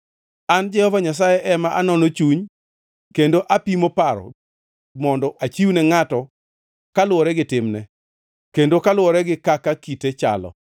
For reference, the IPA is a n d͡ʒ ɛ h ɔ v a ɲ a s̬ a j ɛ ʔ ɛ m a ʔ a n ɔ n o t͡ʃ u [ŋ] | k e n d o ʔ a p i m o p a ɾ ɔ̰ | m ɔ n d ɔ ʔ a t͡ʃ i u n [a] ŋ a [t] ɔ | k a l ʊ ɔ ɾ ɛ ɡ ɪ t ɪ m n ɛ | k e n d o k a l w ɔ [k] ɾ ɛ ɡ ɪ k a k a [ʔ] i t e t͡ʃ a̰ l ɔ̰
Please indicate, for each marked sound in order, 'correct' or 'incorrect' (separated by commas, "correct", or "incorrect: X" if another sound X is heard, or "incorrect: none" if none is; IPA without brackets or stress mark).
incorrect: ɲ, incorrect: ɛ, correct, incorrect: none, incorrect: k